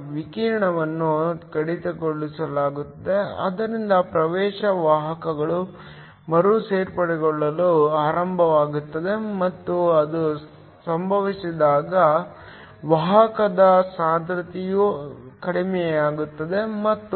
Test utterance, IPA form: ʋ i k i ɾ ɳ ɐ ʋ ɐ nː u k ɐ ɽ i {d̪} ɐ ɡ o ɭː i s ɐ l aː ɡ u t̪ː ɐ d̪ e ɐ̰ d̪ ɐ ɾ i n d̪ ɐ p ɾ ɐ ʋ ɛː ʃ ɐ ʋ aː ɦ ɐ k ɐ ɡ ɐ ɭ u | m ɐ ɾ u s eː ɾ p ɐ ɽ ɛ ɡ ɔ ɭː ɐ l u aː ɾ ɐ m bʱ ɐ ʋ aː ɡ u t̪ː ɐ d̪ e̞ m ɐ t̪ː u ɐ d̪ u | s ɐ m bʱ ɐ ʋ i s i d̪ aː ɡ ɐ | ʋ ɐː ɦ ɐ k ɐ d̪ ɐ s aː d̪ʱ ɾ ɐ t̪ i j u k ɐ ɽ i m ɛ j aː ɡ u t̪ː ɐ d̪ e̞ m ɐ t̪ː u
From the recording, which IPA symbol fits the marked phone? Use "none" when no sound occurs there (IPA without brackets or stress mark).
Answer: t̪